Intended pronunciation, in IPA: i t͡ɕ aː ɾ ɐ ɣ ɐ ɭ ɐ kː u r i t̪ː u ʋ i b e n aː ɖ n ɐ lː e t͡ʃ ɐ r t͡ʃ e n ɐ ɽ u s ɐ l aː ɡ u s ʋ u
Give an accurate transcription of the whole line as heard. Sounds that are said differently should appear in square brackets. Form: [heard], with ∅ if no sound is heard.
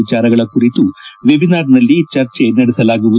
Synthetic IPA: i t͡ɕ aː ɾ ɐ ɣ ɐ ɭ ɐ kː u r i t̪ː u ʋ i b [i] n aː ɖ n ɐ lː [i] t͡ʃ ɐ r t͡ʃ e n ɐ ɽ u s ɐ l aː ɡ u [∅] ʋ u